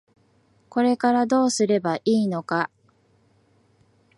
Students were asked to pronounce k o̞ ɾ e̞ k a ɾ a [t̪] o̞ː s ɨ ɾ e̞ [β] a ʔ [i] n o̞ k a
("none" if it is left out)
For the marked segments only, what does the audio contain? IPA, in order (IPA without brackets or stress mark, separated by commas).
d̪, b, iː